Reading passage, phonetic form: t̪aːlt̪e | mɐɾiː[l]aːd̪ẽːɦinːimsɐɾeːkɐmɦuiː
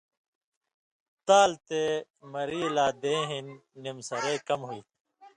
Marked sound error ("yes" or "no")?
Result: no